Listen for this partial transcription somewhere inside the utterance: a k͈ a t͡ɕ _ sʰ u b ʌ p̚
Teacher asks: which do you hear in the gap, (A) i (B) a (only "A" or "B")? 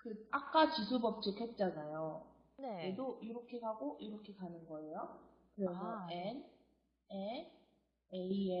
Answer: A